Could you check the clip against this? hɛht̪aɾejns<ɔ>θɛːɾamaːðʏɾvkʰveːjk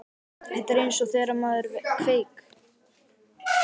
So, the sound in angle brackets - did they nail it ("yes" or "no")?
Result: yes